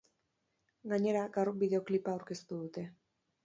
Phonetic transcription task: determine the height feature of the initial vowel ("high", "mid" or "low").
low